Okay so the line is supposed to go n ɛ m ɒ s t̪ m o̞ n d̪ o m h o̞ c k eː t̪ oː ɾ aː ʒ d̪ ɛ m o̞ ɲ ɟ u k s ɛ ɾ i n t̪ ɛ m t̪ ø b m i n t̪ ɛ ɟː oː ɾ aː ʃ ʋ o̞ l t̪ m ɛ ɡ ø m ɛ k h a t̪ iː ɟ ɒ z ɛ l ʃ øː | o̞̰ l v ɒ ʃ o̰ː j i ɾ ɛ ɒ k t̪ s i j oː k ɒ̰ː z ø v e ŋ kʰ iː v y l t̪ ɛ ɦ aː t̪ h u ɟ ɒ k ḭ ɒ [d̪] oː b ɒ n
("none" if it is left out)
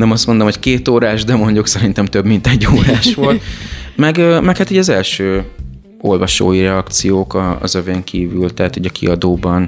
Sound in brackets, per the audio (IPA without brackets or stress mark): d̪